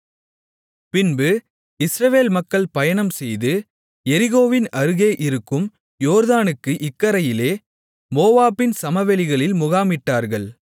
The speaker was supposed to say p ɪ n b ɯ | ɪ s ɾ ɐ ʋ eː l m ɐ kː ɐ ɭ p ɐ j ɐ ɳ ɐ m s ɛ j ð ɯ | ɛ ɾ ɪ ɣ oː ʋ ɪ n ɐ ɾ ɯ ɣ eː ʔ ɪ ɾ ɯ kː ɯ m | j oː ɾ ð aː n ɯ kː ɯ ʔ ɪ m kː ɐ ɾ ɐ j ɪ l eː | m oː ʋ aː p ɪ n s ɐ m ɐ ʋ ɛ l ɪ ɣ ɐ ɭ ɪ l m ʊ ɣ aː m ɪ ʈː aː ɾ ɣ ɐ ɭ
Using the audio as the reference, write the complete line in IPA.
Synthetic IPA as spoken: p ɪ n b ɯ | ɪ s ɾ ɐ ʋ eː l m ɐ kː ɐ ɭ p ɐ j ɐ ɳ ɐ m s ɛ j ð ɯ | ɛ ɾ ɪ ɣ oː ʋ ɪ n ɐ ɾ ɯ ɣ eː ʔ ɪ ɾ ɯ kː ɯ m | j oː ɾ ð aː n ɯ kː ɯ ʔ ɪ kː ɐ ɾ ɐ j ɪ l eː | m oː ʋ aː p ɪ n s ɐ m ɐ ʋ ɛ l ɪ ɣ ɐ ɭ ɪ l m ʊ ɣ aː m ɪ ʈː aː ɾ ɣ ɐ ɭ